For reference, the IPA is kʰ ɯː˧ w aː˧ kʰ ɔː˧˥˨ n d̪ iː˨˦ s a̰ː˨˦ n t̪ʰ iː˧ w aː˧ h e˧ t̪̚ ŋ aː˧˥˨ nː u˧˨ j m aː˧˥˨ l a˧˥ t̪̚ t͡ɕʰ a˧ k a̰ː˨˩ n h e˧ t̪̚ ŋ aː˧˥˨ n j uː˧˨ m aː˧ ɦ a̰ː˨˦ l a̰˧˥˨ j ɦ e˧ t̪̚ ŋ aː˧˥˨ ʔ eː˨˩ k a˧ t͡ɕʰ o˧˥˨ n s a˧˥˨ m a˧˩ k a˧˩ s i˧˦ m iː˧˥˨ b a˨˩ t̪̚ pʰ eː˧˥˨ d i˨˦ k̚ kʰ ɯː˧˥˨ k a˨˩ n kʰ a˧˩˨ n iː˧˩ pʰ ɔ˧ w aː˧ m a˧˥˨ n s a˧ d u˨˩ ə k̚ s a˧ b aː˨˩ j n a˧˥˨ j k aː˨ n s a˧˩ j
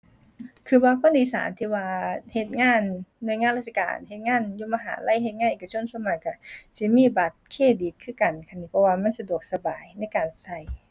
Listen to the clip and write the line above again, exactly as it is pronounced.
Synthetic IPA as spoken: kʰ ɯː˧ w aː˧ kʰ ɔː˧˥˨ n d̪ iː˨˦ s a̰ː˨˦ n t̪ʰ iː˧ w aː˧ h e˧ t̪̚ ŋ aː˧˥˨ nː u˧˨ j ŋ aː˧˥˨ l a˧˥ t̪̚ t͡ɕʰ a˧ k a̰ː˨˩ n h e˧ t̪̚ ŋ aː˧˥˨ n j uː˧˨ m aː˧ ɦ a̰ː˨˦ l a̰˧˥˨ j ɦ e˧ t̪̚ ŋ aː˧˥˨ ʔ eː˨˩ k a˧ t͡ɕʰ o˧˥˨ n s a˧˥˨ m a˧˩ k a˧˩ s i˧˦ m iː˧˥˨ b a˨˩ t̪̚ kʰ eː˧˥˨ d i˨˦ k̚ kʰ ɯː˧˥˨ k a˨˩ n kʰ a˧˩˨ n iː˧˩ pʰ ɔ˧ w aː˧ m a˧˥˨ n s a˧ d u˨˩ ə k̚ s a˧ b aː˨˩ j n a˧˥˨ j k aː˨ n s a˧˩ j